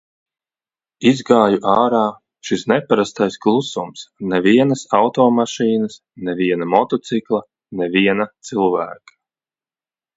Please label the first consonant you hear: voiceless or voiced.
voiced